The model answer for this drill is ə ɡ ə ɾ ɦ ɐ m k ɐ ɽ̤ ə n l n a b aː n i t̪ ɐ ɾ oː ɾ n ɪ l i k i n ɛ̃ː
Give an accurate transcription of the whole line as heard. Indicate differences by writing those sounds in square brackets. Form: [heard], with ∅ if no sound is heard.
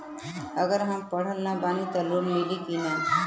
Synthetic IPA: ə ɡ ə ɾ ɦ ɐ m [p] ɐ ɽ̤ ə [∅] l n a b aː n i t̪ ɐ [l] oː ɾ [m] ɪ l i k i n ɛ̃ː